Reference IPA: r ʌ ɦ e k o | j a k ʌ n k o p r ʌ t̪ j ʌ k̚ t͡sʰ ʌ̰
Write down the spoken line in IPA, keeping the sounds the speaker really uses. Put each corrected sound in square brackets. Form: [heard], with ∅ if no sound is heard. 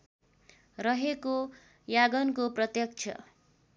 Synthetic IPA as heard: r ʌ ɦ e k o | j a [ɡ] ʌ n k o p r ʌ t̪ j ʌ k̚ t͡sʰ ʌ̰